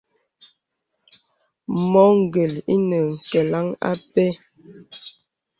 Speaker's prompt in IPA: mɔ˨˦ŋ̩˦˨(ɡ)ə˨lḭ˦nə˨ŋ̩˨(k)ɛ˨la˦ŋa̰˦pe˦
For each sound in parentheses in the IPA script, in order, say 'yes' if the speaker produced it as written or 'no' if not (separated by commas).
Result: yes, yes